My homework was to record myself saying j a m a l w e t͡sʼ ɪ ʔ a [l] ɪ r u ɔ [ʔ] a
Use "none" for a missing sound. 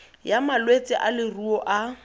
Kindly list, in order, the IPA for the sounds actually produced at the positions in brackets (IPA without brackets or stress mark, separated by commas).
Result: l, ʔ